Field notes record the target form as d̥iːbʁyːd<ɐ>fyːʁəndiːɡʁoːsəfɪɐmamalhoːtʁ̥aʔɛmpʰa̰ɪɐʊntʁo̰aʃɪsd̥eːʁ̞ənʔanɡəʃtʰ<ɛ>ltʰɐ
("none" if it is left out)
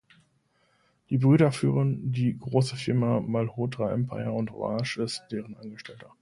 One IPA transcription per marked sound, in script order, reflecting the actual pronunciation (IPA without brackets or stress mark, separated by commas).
ɐ, ɛ